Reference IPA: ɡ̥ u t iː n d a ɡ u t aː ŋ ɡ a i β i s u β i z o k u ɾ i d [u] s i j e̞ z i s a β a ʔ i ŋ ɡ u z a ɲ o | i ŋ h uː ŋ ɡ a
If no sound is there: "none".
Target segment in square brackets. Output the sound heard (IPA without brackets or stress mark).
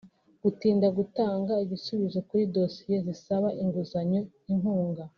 o